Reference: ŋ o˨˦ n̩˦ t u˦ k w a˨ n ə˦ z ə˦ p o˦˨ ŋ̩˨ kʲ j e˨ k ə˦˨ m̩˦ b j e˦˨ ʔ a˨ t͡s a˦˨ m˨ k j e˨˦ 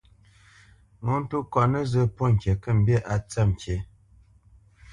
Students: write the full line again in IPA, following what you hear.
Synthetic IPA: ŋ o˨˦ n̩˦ t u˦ k w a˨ n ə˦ z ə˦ p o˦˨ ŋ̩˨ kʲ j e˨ k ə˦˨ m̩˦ b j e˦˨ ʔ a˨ t͡s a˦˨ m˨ k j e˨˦